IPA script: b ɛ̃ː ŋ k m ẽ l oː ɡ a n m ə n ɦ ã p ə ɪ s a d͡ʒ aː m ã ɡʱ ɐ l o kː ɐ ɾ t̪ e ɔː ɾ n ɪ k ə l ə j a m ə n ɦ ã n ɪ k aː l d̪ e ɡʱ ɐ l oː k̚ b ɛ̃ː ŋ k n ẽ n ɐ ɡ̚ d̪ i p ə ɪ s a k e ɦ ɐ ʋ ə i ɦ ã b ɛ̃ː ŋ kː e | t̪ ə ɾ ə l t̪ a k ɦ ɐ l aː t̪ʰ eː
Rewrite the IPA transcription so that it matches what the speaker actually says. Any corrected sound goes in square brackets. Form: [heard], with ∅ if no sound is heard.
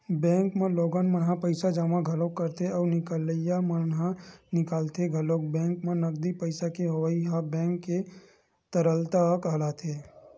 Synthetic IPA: b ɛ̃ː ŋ k m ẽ l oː ɡ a n m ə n ɦ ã p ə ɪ s a d͡ʒ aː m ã ɡʱ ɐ l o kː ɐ ɾ t̪ e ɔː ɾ n ɪ k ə l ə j a m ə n ɦ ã n ɪ k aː l [t̪] e ɡʱ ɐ l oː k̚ b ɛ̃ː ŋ k [m] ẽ n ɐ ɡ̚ d̪ i p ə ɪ s a k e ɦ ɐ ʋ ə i ɦ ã b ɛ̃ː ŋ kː e | t̪ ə ɾ ə l t̪ a k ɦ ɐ l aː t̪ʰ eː

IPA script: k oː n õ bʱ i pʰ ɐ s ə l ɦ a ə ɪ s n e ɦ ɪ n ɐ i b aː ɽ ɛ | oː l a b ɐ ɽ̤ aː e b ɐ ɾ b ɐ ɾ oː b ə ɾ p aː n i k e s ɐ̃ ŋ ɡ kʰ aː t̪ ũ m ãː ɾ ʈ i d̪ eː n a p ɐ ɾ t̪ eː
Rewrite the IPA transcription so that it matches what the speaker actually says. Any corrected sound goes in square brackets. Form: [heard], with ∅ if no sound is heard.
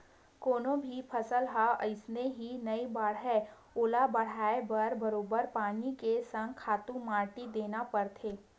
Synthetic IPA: k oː n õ bʱ i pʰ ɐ s ə l ɦ a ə ɪ s n e ɦ [i] n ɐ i b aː ɽ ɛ | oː l a b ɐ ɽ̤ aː e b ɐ ɾ b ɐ ɾ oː b ə ɾ p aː n i k e s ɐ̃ ŋ ɡ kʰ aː t̪ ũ m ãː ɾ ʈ i d̪ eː n a p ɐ ɾ [t̪ʰ] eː

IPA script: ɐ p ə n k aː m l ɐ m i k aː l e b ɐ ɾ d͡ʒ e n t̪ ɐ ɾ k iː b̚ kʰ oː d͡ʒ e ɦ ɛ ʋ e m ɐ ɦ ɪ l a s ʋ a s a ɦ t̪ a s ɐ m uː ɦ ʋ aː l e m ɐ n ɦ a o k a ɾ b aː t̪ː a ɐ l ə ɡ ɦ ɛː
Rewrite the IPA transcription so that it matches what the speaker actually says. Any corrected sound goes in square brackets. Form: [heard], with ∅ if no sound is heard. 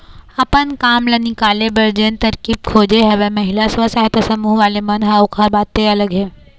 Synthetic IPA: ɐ p ə n k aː m l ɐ [n] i k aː l e b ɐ ɾ d͡ʒ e n t̪ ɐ ɾ k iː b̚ kʰ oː d͡ʒ e ɦ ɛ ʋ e m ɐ ɦ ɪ l a s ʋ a s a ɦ t̪ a s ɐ m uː ɦ ʋ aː l e m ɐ n ɦ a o k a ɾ b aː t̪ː [e] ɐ l ə ɡ ɦ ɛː

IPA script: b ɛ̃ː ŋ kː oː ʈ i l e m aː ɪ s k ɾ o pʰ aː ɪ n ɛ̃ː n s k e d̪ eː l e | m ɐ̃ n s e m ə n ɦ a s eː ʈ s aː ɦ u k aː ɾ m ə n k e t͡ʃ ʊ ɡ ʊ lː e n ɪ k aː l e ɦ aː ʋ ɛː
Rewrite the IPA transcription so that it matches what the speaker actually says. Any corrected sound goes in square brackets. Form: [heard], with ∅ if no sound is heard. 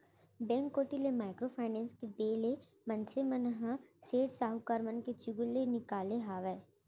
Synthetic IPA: b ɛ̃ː ŋ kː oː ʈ i l e m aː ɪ [∅] k ɾ o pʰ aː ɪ n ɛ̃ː n s k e d̪ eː l e | m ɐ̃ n s e m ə n ɦ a s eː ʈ s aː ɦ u k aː ɾ m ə n k e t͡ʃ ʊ ɡ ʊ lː e n ɪ k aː l e ɦ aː ʋ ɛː

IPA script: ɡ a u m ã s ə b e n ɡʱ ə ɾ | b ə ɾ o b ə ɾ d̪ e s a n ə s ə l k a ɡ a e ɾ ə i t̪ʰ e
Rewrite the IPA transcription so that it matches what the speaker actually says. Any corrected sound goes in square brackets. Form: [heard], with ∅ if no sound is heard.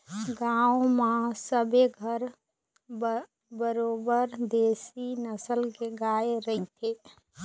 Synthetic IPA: ɡ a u m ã s ə b e [∅] ɡʱ ə ɾ | b ə ɾ o b ə ɾ d̪ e s [i] n ə s ə l k [e] ɡ a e ɾ ə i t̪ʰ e

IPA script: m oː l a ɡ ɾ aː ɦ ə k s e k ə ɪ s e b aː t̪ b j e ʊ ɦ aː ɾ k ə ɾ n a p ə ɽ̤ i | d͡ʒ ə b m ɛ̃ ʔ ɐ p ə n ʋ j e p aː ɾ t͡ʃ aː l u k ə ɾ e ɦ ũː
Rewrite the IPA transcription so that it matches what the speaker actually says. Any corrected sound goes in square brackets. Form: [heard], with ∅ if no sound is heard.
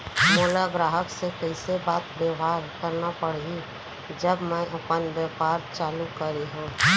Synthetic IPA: m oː l a ɡ ɾ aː ɦ ə k s e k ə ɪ s e b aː t̪ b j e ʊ ɦ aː ɾ k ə ɾ n a p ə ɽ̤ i | d͡ʒ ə b m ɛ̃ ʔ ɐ p ə n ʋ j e p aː ɾ t͡ʃ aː l u k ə ɾ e ɦ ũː

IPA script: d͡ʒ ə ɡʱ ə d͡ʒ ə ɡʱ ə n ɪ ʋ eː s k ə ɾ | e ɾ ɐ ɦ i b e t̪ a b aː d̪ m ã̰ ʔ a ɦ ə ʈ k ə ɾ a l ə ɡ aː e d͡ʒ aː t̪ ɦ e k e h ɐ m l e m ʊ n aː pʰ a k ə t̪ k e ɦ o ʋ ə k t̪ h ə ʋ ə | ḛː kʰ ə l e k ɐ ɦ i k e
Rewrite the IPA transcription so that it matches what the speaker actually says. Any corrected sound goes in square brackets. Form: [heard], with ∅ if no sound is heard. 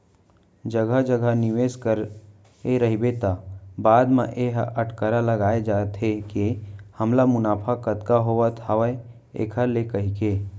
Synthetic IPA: d͡ʒ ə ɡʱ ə d͡ʒ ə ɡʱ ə n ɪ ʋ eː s k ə ɾ | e ɾ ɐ ɦ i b e t̪ a b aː d̪ m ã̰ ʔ [e] ɦ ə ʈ k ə ɾ a l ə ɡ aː e d͡ʒ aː t̪ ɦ e k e h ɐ m l [a] m ʊ n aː pʰ a k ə t̪ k [a] ɦ o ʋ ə [∅] t̪ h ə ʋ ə | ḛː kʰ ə l e k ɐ ɦ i k e

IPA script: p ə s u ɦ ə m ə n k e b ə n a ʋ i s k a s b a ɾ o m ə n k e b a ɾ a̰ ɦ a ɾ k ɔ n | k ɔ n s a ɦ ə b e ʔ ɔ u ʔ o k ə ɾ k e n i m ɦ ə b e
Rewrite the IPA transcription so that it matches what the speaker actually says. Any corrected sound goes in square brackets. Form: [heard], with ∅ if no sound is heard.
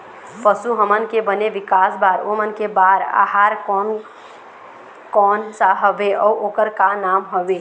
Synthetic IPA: p ə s u ɦ ə m ə n k e b ə n [e] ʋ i [∅] k a s b a ɾ o m ə n k e b a ɾ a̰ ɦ a ɾ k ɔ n | k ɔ n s a ɦ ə b e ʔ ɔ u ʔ o k ə ɾ k [a] n [a] m ɦ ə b e

